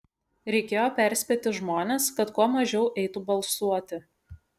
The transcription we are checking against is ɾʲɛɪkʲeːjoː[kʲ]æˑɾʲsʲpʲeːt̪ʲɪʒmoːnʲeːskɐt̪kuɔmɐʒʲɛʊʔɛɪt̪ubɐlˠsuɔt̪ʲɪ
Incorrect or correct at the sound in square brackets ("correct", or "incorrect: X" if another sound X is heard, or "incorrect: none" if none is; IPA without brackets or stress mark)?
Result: incorrect: pʲ